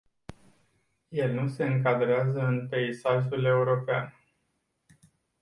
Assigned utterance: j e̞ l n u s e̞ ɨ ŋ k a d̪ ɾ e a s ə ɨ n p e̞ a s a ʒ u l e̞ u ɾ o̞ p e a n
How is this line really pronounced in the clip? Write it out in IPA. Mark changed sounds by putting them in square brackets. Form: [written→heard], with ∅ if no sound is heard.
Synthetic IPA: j e̞ l n u s e̞ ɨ ŋ k a d̪ ɾ e a [s→z] ə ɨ n p e̞ [a→i] s a ʒ u l e̞ u ɾ o̞ p e a n